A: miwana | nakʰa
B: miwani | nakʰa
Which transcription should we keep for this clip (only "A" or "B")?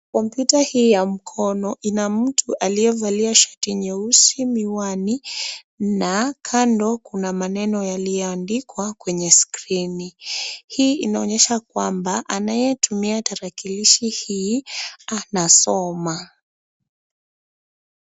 B